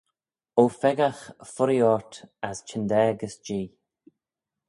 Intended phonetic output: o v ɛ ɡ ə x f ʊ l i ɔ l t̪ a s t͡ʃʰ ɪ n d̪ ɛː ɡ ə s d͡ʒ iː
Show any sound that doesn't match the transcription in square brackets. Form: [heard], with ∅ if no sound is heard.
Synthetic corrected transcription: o [f] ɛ ɡ [a] x f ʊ [ɾ] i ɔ [ɹ] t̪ a s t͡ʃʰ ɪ n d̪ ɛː ɡ ə s d͡ʒ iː